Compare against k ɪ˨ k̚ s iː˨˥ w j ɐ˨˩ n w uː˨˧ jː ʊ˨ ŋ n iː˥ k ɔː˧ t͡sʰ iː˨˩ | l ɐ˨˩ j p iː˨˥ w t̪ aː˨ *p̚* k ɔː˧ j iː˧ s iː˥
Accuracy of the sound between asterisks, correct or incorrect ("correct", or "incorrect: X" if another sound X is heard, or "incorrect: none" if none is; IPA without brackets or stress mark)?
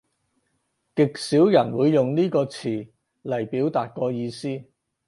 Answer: incorrect: t̚